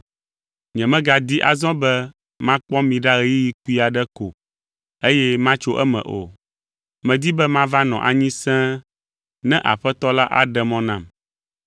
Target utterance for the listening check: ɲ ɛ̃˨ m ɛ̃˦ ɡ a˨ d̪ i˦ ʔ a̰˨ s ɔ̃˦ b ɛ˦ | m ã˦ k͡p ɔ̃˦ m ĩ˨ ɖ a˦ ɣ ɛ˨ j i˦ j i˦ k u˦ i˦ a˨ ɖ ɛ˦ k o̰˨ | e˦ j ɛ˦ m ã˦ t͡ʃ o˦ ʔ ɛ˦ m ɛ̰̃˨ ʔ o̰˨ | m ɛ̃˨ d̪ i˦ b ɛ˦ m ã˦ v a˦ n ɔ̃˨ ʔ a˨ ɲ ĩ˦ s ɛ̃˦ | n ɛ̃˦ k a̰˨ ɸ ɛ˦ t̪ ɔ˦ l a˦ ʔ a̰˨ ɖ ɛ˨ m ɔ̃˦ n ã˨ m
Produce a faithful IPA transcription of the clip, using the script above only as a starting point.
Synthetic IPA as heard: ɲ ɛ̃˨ m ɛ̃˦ ɡ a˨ d̪ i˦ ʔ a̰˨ z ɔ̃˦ b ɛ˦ | m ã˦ k͡p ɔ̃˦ m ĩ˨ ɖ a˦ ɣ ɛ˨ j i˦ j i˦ k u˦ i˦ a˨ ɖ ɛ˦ k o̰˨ | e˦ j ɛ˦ m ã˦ t͡ʃ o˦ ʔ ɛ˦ m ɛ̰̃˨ ʔ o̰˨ | m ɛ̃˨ d̪ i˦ b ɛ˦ m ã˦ v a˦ n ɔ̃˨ ʔ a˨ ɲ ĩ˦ s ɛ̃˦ | n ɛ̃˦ ʔ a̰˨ ɸ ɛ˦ t̪ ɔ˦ l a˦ ʔ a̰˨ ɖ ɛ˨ m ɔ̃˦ n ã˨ m